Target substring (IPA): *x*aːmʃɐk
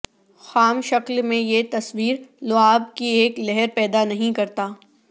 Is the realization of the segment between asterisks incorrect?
no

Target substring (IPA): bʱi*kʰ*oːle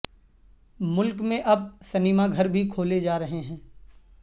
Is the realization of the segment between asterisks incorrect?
no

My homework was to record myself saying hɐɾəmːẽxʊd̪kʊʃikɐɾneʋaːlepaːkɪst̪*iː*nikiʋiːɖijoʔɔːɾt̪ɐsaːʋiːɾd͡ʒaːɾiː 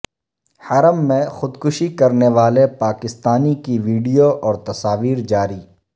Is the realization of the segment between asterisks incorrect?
yes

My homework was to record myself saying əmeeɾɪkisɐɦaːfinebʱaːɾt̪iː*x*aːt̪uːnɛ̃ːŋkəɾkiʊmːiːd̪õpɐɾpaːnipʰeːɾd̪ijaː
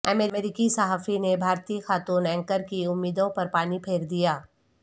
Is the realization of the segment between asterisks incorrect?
no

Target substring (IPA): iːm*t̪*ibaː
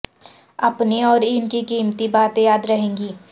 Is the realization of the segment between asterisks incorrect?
no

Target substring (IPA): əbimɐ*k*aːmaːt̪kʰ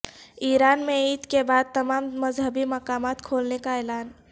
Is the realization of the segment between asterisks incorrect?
no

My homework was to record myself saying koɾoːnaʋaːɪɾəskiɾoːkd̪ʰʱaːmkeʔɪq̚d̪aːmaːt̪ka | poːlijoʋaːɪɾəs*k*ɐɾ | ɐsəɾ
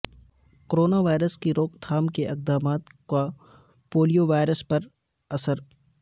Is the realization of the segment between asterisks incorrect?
yes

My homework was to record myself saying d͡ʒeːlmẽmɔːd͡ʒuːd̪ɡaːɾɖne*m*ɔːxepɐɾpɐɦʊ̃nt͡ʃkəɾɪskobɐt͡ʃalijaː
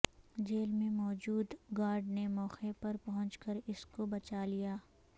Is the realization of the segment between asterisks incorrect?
no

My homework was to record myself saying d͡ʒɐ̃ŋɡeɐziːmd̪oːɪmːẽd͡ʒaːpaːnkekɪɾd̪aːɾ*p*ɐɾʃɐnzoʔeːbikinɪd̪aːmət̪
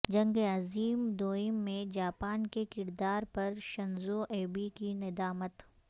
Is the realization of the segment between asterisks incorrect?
no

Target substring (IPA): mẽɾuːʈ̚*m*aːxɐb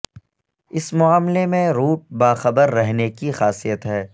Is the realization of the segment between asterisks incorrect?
yes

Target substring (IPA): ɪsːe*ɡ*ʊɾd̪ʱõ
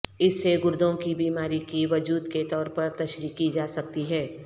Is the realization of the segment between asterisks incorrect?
no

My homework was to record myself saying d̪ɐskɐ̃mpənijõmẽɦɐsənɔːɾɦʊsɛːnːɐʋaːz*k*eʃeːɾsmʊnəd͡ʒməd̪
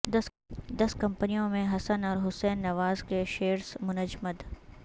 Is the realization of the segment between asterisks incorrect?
no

